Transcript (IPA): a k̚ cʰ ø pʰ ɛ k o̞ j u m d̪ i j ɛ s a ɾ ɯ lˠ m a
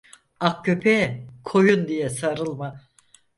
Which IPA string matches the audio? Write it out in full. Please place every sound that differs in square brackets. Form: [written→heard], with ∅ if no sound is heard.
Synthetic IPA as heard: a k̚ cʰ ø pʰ ɛ [k→kʰ] o̞ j u [m→n] d̪ i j ɛ s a ɾ ɯ lˠ m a